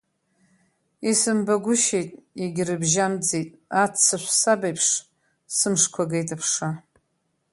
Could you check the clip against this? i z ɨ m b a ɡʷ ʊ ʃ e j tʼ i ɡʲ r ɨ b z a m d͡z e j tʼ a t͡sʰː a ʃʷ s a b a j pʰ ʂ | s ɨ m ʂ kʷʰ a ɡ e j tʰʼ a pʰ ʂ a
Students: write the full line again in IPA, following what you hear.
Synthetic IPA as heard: i s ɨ m b a ɡʷ ʊ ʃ e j tʼ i ɡʲ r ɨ b ʒ a m d͡z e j tʼ a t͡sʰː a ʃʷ s a b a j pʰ ʂ | s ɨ m ʂ kʷʰ a ɡ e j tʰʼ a pʰ ʂ a